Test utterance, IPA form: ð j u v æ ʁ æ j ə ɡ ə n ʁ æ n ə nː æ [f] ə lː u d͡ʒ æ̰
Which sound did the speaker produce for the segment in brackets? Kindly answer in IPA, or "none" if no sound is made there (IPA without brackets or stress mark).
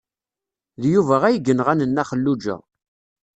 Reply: χ